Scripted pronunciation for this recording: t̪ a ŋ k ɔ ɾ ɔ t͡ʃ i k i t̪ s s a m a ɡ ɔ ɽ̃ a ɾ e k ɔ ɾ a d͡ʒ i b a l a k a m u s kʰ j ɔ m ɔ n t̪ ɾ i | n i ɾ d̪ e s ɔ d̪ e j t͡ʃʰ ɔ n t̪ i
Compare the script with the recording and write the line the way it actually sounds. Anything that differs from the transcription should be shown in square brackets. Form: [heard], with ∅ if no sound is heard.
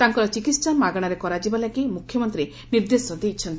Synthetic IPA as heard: t̪ a ŋ k ɔ ɾ ɔ t͡ʃ i k i t̪ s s a m a ɡ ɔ ɽ̃ a ɾ e k ɔ ɾ a d͡ʒ i b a l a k [i] m u [∅] kʰ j ɔ m ɔ n t̪ ɾ i | n i ɾ d̪ e s ɔ d̪ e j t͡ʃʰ ɔ n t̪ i

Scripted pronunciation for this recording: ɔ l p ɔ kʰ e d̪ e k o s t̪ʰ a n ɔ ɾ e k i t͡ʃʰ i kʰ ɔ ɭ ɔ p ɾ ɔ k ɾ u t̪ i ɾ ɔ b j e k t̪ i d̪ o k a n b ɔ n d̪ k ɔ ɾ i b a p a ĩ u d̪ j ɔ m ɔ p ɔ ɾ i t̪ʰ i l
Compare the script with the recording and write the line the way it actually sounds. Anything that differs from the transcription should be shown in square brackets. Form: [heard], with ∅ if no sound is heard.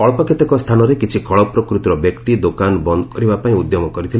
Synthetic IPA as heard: ɔ [ɭ] p ɔ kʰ e [t̪] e k [ɔ] s t̪ʰ a n ɔ ɾ e k i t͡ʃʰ i kʰ ɔ ɭ ɔ p ɾ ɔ k ɾ u t̪ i ɾ ɔ b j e k t̪ i d̪ o k a n b ɔ n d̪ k ɔ ɾ i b a p a ĩ u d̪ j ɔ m ɔ [k] ɔ ɾ i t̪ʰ i l

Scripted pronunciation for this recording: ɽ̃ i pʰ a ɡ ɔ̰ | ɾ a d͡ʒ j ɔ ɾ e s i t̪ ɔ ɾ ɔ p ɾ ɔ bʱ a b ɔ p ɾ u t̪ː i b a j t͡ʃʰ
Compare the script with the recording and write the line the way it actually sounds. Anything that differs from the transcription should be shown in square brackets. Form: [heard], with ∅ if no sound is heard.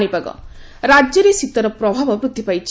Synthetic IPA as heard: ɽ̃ i [p] a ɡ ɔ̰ | ɾ a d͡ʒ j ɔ ɾ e s i t̪ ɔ ɾ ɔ p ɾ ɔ bʱ a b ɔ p ɾ u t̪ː i [p] a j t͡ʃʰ

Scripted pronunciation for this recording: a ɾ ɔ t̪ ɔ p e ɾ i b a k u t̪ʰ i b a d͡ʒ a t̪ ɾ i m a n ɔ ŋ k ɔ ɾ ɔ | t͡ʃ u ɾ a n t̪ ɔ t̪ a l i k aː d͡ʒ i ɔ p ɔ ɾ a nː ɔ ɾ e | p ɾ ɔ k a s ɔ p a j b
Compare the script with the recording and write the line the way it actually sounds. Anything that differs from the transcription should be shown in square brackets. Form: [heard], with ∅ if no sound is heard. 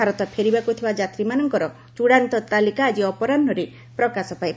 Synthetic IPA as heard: a ɾ ɔ t̪ ɔ [pʰ] e ɾ i b a k u t̪ʰ i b a d͡ʒ a t̪ ɾ i m a n ɔ ŋ k ɔ ɾ ɔ | t͡ʃ u [ɽ] a n t̪ ɔ t̪ a l i k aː d͡ʒ i ɔ p ɔ ɾ a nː ɔ ɾ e | p ɾ ɔ k a s ɔ p a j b

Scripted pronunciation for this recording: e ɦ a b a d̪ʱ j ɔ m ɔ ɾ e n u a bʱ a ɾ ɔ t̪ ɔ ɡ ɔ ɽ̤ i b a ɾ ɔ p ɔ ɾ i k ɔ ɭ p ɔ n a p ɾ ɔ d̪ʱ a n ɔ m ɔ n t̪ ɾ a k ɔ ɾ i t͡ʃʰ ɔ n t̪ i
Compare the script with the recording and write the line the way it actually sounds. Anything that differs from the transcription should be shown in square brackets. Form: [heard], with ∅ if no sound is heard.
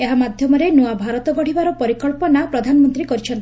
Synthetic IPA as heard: e ɦ a [m] a d̪ʱ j ɔ m ɔ ɾ e n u a bʱ a ɾ ɔ t̪ ɔ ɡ ɔ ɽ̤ i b a ɾ ɔ p ɔ ɾ i k ɔ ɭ p ɔ n a p ɾ ɔ d̪ʱ a n ɔ m ɔ n t̪ ɾ [i] k ɔ ɾ i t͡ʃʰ ɔ n t̪ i

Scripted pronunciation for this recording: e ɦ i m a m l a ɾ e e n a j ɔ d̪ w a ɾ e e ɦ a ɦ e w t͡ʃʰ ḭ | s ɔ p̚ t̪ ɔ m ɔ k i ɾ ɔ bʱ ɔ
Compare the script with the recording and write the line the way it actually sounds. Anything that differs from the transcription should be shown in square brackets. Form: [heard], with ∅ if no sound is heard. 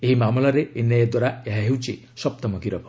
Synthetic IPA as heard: e ɦ i m a m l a ɾ e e n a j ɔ d̪ w a ɾ [a] e ɦ a ɦ e w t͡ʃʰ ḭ | s ɔ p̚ t̪ ɔ m ɔ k i ɾ ɔ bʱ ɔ

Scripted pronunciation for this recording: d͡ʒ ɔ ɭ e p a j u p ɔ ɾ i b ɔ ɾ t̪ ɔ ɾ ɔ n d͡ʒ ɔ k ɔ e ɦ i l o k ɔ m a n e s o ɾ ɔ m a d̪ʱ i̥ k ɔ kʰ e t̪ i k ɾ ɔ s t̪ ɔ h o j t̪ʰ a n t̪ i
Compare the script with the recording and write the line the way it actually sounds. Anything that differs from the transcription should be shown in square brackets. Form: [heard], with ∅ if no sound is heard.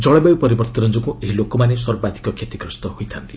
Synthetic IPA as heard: d͡ʒ ɔ ɭ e [b] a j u p ɔ ɾ i b ɔ ɾ t̪ ɔ ɾ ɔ n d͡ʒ ɔ k [u] e ɦ i l o k ɔ m a n e s [ɔ] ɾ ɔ [b] a d̪ʱ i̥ k ɔ kʰ e t̪ i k ɾ ɔ s t̪ ɔ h o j t̪ʰ a n t̪ i

